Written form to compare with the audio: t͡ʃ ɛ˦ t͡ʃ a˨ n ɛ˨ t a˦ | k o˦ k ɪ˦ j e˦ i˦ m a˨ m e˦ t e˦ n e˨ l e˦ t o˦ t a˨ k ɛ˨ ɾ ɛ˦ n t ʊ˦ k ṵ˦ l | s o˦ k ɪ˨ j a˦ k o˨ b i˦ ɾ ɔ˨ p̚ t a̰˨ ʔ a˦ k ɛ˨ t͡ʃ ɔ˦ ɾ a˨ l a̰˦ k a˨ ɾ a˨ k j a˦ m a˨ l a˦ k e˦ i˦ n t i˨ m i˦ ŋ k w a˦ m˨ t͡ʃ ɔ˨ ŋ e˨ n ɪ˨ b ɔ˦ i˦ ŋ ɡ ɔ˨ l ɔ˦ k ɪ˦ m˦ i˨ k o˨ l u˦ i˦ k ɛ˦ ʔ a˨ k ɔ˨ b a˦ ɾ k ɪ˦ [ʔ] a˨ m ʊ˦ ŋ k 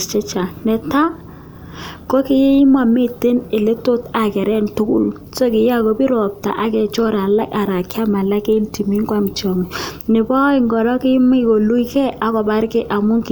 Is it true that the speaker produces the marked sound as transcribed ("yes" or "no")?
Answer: yes